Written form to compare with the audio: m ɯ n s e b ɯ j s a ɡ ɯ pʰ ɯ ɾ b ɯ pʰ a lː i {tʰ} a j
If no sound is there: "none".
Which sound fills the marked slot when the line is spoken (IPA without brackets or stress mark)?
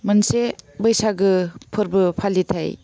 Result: tʰ